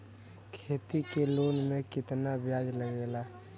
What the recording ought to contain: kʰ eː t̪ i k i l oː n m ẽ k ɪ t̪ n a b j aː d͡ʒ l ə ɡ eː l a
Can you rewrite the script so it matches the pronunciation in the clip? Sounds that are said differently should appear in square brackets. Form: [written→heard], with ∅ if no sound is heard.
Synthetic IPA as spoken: kʰ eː t̪ i k [i→e] l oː n m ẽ k ɪ t̪ n a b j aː d͡ʒ l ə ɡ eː l a